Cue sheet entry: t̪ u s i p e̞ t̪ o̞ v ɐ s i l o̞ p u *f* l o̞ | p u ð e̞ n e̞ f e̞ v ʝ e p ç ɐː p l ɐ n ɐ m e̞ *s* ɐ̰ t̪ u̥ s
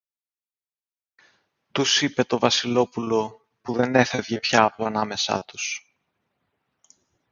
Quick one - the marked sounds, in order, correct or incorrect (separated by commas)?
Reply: incorrect, correct